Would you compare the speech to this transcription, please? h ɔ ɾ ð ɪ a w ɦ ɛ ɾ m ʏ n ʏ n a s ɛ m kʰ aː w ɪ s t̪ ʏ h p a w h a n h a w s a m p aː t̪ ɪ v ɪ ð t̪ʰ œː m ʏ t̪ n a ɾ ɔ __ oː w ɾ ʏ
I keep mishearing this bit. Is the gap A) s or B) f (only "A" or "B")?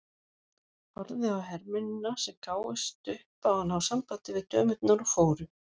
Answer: B